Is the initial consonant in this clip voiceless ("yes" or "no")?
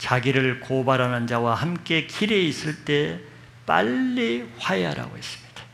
yes